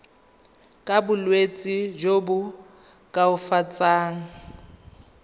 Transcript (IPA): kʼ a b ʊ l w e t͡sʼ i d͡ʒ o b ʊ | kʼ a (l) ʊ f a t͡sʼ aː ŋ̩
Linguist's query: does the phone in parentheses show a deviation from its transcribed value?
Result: yes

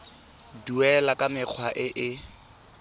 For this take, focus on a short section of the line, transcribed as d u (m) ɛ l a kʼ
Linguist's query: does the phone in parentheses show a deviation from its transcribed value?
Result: yes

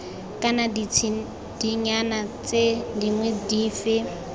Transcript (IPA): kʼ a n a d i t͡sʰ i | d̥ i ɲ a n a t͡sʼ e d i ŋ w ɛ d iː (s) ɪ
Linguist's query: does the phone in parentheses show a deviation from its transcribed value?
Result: yes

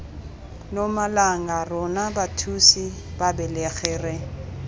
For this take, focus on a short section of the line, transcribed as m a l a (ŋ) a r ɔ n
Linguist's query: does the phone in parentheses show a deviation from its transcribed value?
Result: no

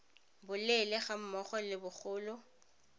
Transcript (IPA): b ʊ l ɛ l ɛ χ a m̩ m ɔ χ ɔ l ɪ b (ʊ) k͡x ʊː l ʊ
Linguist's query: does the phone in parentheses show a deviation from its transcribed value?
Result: no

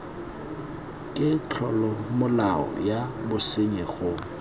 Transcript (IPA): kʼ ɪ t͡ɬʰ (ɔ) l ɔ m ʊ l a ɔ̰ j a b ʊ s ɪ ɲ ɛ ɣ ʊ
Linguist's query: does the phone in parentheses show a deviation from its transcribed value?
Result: no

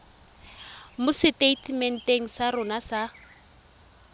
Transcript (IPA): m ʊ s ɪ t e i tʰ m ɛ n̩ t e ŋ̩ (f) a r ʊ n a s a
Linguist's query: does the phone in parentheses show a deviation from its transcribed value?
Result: yes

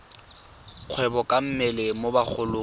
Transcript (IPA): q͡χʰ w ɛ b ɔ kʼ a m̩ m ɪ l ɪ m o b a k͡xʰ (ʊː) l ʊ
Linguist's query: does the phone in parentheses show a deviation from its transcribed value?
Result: yes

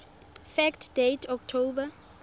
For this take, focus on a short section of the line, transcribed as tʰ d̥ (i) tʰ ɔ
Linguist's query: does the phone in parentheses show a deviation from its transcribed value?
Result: yes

